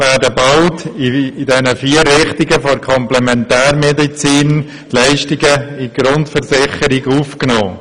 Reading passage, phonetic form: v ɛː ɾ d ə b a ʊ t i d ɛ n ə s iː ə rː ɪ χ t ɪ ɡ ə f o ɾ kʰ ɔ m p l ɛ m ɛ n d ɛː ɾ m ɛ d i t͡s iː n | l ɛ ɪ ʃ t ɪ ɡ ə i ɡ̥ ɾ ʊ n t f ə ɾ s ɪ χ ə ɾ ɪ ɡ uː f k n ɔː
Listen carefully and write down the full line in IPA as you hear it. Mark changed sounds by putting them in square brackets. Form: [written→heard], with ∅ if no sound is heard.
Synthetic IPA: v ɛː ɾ d ə b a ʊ t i d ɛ n ə [s→f] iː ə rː ɪ χ t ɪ ɡ ə f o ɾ kʰ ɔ m p l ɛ m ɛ n [d→t] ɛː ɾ m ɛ d i t͡s iː n | l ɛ ɪ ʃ t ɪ ɡ ə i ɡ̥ ɾ ʊ n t f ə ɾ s ɪ χ ə ɾ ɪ ɡ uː f k n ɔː

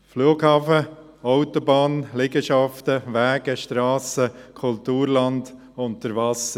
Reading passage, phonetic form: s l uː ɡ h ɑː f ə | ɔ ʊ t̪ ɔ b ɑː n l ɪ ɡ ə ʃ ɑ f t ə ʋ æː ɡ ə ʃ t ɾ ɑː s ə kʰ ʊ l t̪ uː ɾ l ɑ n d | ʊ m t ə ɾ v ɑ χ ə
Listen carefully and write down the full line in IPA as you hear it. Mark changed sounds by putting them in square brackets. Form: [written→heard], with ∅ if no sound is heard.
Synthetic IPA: [s→f] l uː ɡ h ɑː f ə | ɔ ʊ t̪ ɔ b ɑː n l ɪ ɡ ə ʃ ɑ f t ə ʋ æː ɡ ə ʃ t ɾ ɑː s ə kʰ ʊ l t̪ uː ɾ l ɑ n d | ʊ [m→n] t ə ɾ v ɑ [χ→s] ə

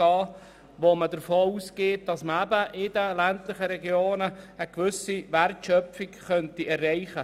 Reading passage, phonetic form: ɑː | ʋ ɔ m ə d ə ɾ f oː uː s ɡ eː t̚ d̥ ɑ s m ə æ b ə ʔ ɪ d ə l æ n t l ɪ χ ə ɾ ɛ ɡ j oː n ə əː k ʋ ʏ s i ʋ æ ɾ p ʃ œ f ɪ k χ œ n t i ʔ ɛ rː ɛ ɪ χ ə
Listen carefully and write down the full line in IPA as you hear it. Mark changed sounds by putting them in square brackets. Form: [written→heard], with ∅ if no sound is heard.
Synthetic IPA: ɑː | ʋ [ɔ→o] m ə d ə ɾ f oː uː s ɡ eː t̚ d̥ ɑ s m ə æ b ə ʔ ɪ d ə l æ n t l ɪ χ ə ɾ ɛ ɡ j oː n ə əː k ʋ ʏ s i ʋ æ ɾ [p→t] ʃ œ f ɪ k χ œ n t i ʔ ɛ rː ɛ ɪ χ ə

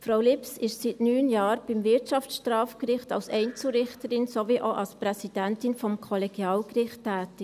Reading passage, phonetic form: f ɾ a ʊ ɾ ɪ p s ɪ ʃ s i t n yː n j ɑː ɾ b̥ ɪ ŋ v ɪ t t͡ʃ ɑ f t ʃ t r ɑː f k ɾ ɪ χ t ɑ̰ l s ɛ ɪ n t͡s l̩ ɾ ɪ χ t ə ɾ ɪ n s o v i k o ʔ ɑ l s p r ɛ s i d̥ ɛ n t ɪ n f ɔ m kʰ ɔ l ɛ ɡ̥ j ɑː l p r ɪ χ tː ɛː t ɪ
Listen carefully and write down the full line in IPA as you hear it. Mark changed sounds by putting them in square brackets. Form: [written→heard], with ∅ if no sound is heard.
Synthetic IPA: f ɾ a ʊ [ɾ→l] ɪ p s ɪ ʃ s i t n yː n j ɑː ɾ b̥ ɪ [ŋ→m] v ɪ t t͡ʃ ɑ f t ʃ t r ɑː f k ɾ ɪ χ t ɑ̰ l s ɛ ɪ n t͡s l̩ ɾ ɪ χ t ə ɾ ɪ n s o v i [k→ʔ] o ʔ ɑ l s p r ɛ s i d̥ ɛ n t ɪ n f ɔ m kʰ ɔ l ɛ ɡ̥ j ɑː l [p→k] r ɪ χ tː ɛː t ɪ

